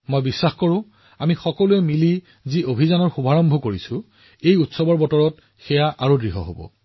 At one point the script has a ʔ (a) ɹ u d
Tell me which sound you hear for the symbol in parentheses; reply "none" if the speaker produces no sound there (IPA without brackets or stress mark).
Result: a